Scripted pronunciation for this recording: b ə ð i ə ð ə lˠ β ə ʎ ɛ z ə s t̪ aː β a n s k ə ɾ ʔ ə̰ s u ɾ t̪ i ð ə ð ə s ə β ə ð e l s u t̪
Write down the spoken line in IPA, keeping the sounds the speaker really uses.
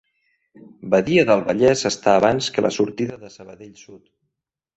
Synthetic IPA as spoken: b ə ð i ə ð ə lˠ β ə ʎ ɛ z ə s t̪ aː β a n s k ə l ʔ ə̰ s u ɾ t̪ i ð ə ð ə s ə β ə ð e ʎ s u t̪